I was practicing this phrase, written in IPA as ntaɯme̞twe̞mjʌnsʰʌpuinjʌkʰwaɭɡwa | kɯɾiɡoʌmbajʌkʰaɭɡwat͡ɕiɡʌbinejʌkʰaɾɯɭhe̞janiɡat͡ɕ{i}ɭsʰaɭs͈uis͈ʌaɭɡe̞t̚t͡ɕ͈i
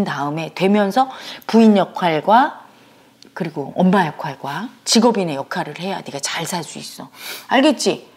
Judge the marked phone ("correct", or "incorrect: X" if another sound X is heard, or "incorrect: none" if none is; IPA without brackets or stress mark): incorrect: a